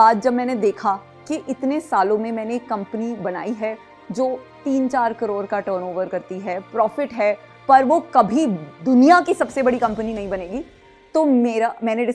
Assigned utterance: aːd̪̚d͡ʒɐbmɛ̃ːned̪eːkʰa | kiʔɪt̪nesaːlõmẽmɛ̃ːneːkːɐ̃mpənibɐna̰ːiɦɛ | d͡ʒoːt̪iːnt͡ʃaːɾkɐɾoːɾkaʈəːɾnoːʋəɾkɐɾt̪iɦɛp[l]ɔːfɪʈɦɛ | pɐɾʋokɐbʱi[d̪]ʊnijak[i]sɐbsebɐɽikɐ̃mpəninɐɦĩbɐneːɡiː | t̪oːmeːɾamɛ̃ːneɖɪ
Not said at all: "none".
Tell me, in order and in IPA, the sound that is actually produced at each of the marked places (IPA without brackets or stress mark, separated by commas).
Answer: ɾ, d̪, i